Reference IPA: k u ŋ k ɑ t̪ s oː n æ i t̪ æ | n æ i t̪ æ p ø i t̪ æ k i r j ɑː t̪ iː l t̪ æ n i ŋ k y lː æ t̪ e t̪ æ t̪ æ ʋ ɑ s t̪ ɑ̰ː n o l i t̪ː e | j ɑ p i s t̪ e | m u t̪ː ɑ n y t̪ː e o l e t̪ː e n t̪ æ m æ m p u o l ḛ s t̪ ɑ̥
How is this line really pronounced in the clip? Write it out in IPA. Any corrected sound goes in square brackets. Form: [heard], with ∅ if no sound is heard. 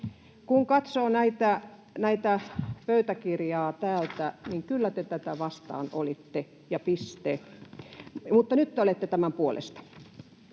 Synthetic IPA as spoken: k u ŋ k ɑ t̪ s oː n æ i t̪ æ | n æ i t̪ æ p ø [y] t̪ æ k i r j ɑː t̪ [æː] l t̪ æ n i ŋ k y lː æ t̪ e t̪ æ t̪ æ ʋ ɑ s t̪ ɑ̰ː n o l i t̪ː e | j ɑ p i s t̪ e | m u t̪ː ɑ n y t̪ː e o l e t̪ː e [∅] t̪ æ m æ m p u o l ḛ s t̪ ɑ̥